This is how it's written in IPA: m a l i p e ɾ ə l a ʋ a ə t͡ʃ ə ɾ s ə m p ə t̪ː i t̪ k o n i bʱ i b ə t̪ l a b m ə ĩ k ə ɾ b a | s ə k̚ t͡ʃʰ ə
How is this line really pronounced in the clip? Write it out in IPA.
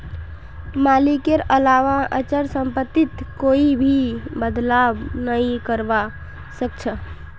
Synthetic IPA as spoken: m a l i k e ɾ ə l a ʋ a ə t͡ʃ ə ɾ s ə m p ə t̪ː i t̪ k o i bʱ i b ə d̪ l a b n ə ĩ k ə ɾ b a | s ə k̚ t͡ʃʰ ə

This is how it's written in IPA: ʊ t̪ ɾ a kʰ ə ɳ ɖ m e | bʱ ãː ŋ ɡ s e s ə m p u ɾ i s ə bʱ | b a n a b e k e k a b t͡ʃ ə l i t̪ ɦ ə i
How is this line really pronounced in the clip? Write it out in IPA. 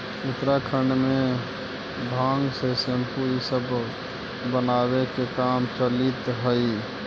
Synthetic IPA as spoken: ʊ t̪ ɾ a kʰ ə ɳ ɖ m e | bʱ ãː ŋ ɡ s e s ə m p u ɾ i s ə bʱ | b ə n a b e k e k a m t͡ʃ ə l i t̪ ɦ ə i

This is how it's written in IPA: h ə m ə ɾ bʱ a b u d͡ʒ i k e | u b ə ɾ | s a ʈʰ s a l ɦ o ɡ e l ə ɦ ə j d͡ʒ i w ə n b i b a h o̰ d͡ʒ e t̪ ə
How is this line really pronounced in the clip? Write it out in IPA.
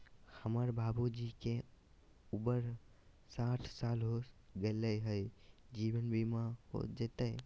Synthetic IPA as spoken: h ə m ə ɾ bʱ a b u d͡ʒ i k e | u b ə ɾ | s a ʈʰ s a l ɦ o ɡ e l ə ɦ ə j d͡ʒ i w ə n b i m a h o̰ d͡ʒ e t̪ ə

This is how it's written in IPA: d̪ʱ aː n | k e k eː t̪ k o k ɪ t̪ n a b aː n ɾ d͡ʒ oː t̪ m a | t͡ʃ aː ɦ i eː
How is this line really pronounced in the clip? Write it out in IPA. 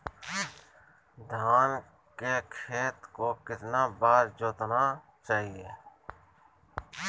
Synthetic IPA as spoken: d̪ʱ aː n | k e kʰ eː t̪ k o k ɪ t̪ n a b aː ɾ d͡ʒ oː t̪ n a | t͡ʃ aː ɦ i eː

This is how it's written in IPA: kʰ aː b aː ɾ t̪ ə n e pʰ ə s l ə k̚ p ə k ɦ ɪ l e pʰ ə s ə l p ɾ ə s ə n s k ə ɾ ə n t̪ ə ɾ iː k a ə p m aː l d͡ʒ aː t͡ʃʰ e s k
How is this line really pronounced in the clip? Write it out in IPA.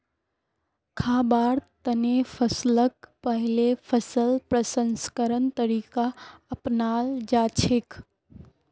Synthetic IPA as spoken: kʰ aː b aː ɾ t̪ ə n e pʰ ə s l ə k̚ p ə ɦ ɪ l e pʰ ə s ə l p ɾ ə s ə n s k ə ɾ ə n t̪ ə ɾ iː k a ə p n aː l d͡ʒ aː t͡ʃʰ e k

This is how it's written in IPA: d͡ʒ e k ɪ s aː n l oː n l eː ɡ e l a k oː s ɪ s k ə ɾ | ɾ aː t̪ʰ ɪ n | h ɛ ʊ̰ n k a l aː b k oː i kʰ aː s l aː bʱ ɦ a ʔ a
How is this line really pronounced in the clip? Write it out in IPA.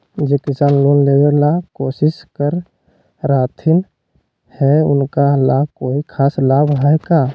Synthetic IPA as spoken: d͡ʒ e k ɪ s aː n l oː n l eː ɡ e l a k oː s ɪ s k ə ɾ | ɾ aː t̪ʰ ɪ n | h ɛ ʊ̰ n k a l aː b k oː i kʰ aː s l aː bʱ ɦ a k a

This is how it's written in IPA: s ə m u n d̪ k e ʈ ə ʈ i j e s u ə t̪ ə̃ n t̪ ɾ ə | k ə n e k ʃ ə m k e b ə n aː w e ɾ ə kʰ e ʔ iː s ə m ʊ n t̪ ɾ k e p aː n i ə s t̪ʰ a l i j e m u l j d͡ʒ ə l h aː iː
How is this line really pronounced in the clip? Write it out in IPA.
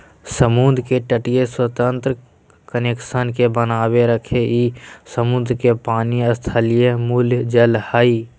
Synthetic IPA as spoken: s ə m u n d̪ k e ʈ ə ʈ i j e s w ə t̪ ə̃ n t̪ ɾ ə | k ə n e k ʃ ə n k e b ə n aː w e ɾ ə kʰ e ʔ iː s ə m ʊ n d̪ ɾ k e p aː n i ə s t̪ʰ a l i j e m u l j d͡ʒ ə l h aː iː

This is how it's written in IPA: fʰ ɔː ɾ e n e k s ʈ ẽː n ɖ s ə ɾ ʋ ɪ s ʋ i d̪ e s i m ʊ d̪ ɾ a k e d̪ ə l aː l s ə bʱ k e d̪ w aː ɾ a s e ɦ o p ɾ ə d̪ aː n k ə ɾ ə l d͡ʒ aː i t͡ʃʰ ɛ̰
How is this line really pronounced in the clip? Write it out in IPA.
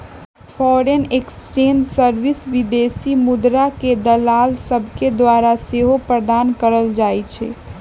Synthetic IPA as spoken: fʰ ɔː ɾ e n e k s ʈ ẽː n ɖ s ə ɾ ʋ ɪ s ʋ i d̪ e s i m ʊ d̪ ɾ a k e d̪ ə l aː l s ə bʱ k e d̪ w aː ɾ a s e ɦ o p ɾ ə d̪ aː n k ə ɾ ə l d͡ʒ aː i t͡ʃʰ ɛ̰

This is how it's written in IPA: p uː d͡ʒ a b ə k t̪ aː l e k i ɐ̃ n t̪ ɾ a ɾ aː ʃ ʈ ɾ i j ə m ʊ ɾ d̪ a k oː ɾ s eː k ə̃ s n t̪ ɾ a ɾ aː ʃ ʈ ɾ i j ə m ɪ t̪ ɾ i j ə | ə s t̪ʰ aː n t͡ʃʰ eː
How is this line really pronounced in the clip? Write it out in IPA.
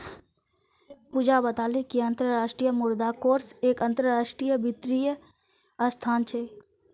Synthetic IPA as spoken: p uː d͡ʒ a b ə t̪ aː l e k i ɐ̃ n t̪ ɾ ə ɾ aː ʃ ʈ ɾ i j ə m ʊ ɾ d̪ a k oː ɾ s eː k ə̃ n t̪ ɾ ə ɾ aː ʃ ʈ ɾ i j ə b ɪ t̪ ɾ i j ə | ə s t̪ʰ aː n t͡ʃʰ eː

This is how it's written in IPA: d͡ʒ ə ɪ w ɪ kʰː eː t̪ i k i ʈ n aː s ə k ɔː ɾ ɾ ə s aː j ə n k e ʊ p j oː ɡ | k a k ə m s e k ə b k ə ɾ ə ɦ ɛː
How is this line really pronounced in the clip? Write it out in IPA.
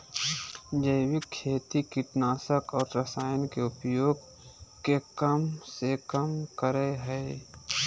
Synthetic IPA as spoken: d͡ʒ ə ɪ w ɪ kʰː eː t̪ i k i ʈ n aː s ə k ɔː ɾ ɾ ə s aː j ə n k e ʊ p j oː ɡ | k e k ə m s e k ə m k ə ɾ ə ɦ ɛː

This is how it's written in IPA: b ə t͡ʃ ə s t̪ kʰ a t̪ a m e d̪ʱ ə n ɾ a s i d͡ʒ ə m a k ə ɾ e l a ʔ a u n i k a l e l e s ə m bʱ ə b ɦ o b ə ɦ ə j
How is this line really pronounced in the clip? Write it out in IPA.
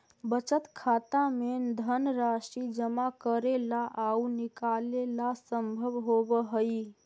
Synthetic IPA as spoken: b ə t͡ʃ ə t̪ kʰ a t̪ a m e d̪ʱ ə n ɾ a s i d͡ʒ ə m a k ə ɾ e l a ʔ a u n i k a l e l a s ə m bʱ ə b ɦ o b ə ɦ ə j

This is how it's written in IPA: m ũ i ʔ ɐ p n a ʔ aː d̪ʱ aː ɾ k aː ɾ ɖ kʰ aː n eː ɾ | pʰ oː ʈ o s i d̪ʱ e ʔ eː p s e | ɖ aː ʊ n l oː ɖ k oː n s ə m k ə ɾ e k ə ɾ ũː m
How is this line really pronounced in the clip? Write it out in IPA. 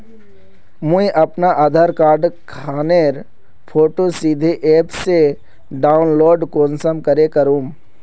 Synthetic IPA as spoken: m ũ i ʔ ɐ p n a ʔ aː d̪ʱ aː ɾ k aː ɾ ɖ kʰ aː n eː ɾ | pʰ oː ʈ o s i d̪ʱ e ʔ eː p s e | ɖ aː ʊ n l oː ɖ k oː n s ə m k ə ɾ e k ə ɾ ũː m

